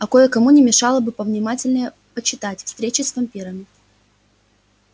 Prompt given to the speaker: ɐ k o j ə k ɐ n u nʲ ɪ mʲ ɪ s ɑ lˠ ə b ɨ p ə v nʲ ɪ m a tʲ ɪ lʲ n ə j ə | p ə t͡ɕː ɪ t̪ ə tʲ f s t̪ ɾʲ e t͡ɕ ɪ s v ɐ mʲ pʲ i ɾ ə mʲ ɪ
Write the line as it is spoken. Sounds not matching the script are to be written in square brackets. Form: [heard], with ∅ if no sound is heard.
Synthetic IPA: ɐ k o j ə k ɐ [m] u nʲ ɪ mʲ ɪ [ʂ] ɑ lˠ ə b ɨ p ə v nʲ ɪ m a tʲ ɪ lʲ n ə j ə | p ə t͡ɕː ɪ t̪ [a] tʲ f s t̪ ɾʲ e t͡ɕ ɪ s v ɐ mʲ pʲ i ɾ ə mʲ ɪ